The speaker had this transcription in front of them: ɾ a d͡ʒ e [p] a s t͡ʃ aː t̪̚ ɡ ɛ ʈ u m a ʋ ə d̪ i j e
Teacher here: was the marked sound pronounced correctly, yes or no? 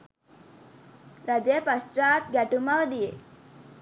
yes